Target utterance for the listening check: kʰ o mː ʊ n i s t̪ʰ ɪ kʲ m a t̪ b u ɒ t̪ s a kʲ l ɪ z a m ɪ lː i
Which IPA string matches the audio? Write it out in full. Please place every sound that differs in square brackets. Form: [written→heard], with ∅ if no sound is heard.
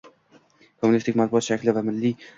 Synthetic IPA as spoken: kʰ o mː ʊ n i s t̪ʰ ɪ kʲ m a t̪ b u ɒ t̪ [s→ʃ] a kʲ l ɪ [z→v] a m ɪ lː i